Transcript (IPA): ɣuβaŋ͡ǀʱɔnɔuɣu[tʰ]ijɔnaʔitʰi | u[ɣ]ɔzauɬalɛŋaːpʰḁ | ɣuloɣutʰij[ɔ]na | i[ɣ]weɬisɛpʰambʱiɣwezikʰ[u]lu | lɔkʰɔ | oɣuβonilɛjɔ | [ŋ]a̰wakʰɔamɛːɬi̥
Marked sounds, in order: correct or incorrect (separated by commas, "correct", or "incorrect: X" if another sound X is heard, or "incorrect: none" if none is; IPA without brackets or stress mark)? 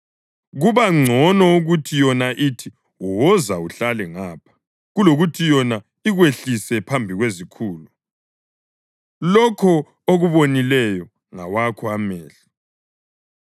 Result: correct, incorrect: w, correct, correct, incorrect: uː, correct